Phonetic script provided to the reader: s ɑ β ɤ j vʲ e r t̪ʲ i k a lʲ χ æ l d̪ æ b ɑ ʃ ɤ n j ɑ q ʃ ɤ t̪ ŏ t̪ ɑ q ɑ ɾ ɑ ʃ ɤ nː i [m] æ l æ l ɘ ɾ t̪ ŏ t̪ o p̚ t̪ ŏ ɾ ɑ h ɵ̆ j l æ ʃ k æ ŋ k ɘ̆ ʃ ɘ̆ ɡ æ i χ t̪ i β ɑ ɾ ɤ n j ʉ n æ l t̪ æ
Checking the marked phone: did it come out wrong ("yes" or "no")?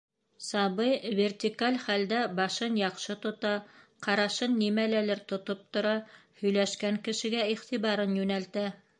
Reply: no